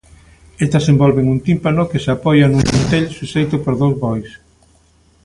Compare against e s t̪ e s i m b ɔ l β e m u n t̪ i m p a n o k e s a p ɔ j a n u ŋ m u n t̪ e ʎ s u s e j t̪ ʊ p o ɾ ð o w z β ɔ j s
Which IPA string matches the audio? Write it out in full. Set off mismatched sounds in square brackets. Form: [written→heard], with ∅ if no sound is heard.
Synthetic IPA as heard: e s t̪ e s [i→e] m b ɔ l β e [m→ŋ] u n t̪ i m p a n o k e s a p ɔ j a n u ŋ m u n t̪ e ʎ s u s e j t̪ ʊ p o ɾ ð o w z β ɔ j s